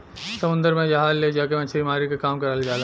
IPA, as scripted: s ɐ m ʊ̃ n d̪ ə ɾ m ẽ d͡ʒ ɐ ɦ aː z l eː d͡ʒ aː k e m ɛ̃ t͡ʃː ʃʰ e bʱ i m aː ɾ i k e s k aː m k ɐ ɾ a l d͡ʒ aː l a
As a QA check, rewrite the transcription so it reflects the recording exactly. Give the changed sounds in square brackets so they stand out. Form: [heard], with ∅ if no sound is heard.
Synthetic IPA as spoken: s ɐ m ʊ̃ n d̪ ə ɾ m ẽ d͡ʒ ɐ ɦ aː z l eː d͡ʒ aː k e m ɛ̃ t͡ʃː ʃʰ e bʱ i m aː ɾ i k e [∅] k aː m k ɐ ɾ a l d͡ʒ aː l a

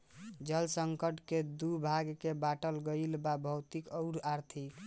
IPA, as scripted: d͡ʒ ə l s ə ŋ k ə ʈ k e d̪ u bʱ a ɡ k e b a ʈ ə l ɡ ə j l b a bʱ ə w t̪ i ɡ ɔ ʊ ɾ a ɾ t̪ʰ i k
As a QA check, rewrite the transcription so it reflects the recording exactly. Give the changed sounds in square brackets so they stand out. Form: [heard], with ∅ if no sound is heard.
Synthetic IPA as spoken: d͡ʒ ə l s ə ŋ k ə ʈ k e d̪ u bʱ a ɡ k e b a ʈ ə l ɡ ə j l b a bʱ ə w t̪ i [k] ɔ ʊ ɾ a ɾ t̪ʰ i k

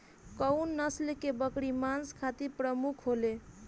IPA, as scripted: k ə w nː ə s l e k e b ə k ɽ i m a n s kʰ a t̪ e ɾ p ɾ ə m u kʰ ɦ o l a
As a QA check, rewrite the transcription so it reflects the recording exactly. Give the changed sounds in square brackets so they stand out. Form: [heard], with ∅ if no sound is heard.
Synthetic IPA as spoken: k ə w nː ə s l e k e b ə k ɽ i m a n s kʰ a t̪ [i] ɾ p ɾ ə m u kʰ ɦ o l [e]

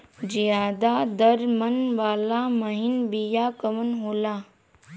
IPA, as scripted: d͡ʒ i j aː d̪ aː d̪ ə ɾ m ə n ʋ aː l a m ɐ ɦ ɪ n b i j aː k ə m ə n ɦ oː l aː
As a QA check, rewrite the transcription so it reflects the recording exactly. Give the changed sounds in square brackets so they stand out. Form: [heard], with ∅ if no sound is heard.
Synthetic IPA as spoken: d͡ʒ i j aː d̪ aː d̪ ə ɾ m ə n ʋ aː l a m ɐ ɦ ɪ n b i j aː k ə m ə n ɦ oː l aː

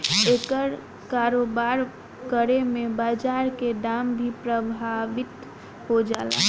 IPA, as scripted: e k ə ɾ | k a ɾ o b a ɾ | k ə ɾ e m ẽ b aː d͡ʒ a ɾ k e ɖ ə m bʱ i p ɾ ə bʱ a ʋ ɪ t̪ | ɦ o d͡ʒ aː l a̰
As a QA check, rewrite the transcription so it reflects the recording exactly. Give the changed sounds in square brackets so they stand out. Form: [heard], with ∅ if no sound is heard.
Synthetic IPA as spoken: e k ə ɾ | k a ɾ o b a ɾ | k ə ɾ e m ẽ b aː d͡ʒ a ɾ k e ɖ [a] m bʱ i p ɾ ə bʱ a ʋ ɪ t̪ | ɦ o d͡ʒ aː l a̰

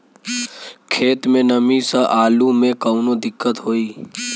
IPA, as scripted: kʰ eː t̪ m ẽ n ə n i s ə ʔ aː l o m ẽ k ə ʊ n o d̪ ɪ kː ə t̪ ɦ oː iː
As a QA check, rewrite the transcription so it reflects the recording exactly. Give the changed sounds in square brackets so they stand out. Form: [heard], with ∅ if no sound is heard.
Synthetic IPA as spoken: kʰ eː t̪ m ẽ n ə [m] i s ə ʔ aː l [u] m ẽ k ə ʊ n o d̪ ɪ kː ə t̪ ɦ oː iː

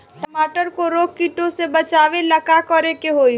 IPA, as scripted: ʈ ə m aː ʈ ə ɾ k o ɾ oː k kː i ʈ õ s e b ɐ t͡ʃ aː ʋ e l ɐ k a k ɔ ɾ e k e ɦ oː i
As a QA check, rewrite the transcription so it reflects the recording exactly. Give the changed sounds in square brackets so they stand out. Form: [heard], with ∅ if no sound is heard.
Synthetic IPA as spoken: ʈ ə m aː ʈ ə ɾ k o ɾ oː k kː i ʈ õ s e b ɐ t͡ʃ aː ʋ e l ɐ k a k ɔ ɾ e k e ɦ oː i

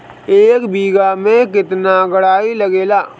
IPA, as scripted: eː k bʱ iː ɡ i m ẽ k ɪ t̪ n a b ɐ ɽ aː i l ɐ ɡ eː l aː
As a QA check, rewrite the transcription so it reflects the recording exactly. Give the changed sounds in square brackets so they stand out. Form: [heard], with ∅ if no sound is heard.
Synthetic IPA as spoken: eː k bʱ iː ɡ [a] m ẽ k ɪ t̪ n a [ɡ] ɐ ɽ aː i l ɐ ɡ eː l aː

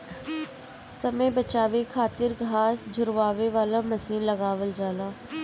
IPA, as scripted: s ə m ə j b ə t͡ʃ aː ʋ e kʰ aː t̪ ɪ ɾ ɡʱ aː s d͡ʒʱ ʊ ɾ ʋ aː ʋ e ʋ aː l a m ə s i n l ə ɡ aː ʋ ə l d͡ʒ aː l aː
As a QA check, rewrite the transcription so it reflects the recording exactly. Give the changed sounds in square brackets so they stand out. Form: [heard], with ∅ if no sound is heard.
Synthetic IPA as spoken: s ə m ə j b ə t͡ʃ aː ʋ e kʰ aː t̪ ɪ ɾ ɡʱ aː s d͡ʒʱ ʊ ɾ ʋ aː ʋ e ʋ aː l a m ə s [iː] n l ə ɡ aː ʋ ə l d͡ʒ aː l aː

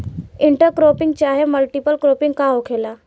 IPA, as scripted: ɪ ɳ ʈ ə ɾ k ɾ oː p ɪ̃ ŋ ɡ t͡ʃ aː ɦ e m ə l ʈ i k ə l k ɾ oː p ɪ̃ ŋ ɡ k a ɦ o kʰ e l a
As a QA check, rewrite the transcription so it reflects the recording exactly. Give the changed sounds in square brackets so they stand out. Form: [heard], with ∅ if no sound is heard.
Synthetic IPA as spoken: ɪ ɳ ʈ ə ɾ k ɾ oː p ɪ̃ ŋ ɡ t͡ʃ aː ɦ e m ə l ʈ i [p] ə l k ɾ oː p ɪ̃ ŋ ɡ k a ɦ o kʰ e l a

